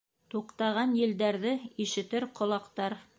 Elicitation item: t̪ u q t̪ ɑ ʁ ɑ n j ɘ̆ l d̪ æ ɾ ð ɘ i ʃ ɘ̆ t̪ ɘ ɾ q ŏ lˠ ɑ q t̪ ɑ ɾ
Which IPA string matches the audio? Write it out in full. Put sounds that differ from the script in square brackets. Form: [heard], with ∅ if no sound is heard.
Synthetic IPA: t̪ u q t̪ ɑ ʁ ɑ n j ɘ̆ l d̪ æ ɾ ð ɘ i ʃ ɘ̆ t̪ ɘ ɾ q ŏ lˠ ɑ q t̪ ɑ ɾ

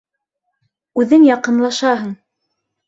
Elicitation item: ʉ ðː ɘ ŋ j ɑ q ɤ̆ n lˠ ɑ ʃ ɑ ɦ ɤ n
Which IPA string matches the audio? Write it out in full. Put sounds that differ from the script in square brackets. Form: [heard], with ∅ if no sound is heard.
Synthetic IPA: ʉ [ð] ɘ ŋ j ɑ q ɤ̆ n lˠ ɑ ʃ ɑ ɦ ɤ [ɴ]

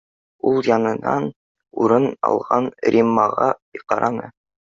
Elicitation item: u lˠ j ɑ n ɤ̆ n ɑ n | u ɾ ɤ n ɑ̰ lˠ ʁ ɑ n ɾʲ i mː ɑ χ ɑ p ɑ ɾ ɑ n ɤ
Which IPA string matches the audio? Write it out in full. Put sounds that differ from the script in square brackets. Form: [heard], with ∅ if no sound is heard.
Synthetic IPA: u lˠ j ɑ n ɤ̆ n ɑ n | u ɾ ɤ n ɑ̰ lˠ ʁ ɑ n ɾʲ i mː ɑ [ʁ] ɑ [q] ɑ ɾ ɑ n ɤ

